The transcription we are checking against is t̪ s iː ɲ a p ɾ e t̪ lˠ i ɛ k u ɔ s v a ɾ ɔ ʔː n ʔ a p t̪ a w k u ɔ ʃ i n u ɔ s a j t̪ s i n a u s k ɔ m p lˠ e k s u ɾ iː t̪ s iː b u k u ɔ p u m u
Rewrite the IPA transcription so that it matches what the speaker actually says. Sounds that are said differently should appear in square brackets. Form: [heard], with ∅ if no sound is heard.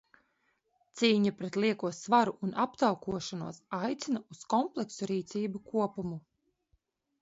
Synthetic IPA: t̪ s iː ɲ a p ɾ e t̪ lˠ i ɛ k u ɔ s v a ɾ [u] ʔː n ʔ a p t̪ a w k u ɔ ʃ [a] n u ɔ s a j t̪ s i n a u s k ɔ m p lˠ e k s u ɾ iː t̪ s iː b u k u ɔ p u m u